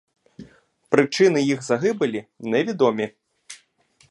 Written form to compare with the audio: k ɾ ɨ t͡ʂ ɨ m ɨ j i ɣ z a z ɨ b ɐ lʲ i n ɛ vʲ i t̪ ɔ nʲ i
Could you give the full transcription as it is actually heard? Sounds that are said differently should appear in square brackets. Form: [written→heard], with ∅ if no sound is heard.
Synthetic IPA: [k→p] ɾ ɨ t͡ʂ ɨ [m→n] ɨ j i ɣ z a [z→ɣ] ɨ b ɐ lʲ i n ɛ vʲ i [t̪→d̪] ɔ [nʲ→mʲ] i